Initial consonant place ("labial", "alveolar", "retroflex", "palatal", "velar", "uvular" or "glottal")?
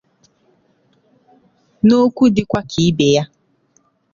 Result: alveolar